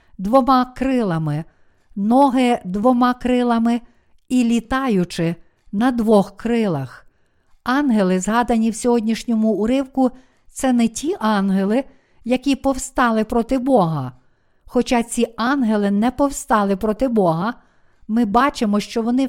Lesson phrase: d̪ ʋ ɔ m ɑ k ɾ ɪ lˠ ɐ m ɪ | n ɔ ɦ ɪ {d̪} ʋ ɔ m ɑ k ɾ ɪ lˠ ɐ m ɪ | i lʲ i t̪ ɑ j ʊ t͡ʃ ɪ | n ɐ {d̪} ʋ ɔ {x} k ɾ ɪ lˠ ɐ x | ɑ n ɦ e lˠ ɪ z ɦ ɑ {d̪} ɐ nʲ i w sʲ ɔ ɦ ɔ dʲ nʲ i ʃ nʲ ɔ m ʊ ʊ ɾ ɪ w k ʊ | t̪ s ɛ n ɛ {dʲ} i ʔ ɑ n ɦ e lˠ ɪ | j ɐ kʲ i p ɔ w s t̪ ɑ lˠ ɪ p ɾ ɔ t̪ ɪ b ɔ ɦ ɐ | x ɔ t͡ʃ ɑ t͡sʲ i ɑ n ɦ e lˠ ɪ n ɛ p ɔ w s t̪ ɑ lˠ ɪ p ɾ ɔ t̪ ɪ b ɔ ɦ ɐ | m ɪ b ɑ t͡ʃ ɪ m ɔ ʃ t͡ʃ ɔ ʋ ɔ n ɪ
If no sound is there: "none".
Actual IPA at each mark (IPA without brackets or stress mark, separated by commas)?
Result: d̪, d̪, x, d̪, tʲ